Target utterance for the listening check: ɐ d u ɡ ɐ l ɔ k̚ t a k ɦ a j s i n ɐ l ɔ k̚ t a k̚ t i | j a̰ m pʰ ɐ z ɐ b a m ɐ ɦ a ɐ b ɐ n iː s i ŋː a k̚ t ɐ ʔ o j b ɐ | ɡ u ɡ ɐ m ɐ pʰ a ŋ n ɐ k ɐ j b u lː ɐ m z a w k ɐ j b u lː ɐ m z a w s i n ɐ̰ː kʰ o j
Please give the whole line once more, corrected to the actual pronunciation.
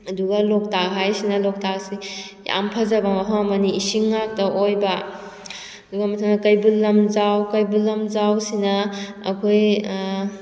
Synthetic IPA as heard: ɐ d u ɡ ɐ l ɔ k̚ t a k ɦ a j s i n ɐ l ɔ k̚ t a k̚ s i | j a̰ m pʰ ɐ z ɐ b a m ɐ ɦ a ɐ m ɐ n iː s i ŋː a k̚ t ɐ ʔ o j b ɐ | d u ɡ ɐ m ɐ tʰ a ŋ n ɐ k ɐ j b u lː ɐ m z a w k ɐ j b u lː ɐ m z a w s i n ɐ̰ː kʰ o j